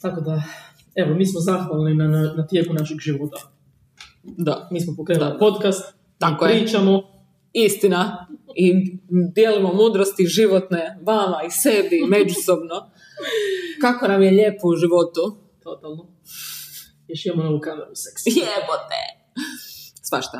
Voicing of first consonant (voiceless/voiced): voiceless